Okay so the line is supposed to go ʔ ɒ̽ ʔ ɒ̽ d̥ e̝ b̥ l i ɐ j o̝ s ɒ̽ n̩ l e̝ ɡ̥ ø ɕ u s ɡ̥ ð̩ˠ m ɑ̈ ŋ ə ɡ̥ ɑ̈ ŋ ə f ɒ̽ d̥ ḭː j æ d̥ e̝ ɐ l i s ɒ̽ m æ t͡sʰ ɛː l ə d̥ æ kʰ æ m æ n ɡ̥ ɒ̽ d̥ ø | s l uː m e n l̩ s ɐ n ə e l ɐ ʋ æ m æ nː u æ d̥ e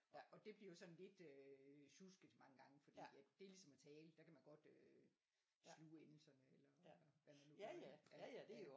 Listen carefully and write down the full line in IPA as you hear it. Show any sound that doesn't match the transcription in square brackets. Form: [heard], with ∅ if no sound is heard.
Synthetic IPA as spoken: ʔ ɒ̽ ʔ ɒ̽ d̥ e̝ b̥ l i ɐ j o̝ s ɒ̽ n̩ l e̝ [d̥] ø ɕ u s ɡ̥ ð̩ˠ m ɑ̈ ŋ ə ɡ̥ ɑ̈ ŋ ə f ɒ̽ d̥ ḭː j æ d̥ e̝ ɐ l i s ɒ̽ m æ t͡sʰ ɛː l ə d̥ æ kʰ æ m æ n ɡ̥ ɒ̽ d̥ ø | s l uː [∅] e n l̩ s ɐ n ə e l ɐ ʋ æ m æ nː u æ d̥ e